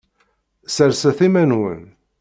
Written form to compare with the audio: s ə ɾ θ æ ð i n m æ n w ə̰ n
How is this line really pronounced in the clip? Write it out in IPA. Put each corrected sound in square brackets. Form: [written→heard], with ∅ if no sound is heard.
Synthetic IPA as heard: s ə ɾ [θ→s] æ [ð→θ] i [n→∅] m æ n w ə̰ n